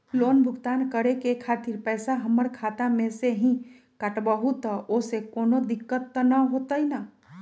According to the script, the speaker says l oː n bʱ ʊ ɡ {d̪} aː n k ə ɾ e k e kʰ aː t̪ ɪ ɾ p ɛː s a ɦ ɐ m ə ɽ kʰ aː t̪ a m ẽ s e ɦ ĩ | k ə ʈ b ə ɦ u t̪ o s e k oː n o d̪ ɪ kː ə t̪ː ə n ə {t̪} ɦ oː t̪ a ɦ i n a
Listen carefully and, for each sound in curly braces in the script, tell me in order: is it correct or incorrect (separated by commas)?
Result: incorrect, incorrect